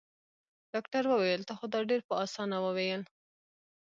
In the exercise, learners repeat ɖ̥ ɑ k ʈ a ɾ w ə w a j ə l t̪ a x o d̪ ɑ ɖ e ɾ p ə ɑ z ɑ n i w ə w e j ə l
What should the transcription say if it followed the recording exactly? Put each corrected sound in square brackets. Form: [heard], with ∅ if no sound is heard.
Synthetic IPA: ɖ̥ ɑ k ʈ a ɾ w ə w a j ə l t̪ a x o d̪ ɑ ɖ e ɾ p ə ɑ [s] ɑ n [a] w ə w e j ə l